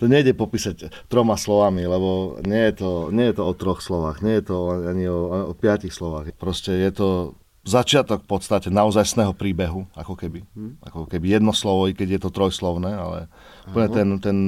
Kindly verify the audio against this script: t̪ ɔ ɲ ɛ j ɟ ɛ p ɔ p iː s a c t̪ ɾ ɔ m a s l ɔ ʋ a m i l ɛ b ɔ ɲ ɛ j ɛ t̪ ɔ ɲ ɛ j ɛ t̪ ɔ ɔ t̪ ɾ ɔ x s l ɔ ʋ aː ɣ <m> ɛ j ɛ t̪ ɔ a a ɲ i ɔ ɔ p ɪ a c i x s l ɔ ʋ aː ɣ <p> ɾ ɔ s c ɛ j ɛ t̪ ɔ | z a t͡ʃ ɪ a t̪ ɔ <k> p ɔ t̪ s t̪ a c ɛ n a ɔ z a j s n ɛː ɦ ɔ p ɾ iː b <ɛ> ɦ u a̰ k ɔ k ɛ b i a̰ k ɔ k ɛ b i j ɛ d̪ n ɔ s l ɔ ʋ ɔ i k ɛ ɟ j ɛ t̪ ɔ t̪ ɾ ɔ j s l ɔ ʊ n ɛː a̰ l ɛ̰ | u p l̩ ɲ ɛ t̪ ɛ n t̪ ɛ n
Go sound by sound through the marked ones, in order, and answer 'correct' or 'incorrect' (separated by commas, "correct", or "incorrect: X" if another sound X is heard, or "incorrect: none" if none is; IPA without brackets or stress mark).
incorrect: ɲ, correct, correct, correct